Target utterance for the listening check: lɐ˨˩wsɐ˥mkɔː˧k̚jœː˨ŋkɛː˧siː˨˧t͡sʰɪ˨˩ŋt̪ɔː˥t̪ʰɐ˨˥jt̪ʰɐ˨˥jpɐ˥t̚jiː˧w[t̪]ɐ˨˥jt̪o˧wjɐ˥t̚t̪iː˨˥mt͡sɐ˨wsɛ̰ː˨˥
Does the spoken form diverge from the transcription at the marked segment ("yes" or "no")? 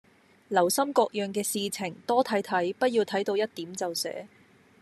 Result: yes